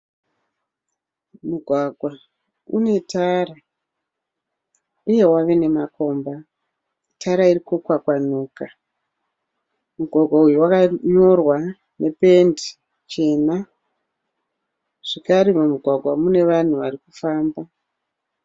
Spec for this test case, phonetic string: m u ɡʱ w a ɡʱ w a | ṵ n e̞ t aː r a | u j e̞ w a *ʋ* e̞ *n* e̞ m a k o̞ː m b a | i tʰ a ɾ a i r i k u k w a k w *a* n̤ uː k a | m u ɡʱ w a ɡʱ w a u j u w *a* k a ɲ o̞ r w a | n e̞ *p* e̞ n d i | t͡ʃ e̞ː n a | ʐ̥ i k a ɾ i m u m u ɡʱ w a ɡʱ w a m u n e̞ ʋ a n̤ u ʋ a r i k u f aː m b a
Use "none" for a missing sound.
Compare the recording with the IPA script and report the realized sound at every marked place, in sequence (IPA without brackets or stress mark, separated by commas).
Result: ʋ, n, a, a, p